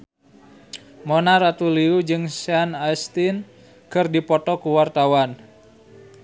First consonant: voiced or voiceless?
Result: voiced